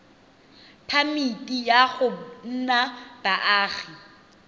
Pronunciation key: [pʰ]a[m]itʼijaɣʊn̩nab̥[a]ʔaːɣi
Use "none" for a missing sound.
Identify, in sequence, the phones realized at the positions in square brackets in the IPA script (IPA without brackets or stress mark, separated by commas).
pʰ, m, a